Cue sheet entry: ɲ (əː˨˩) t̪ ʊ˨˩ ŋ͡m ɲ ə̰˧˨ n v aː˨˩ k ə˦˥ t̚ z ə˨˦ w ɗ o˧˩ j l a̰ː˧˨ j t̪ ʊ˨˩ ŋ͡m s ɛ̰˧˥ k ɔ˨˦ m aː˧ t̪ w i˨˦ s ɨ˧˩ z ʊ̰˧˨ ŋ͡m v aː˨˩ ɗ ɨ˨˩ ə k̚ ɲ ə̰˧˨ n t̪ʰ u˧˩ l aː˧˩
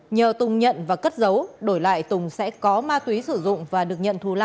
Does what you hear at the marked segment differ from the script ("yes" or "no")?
no